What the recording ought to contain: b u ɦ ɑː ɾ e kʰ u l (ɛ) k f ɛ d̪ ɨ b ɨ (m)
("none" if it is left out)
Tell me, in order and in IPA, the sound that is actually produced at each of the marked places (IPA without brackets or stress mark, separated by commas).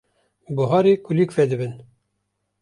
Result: i, n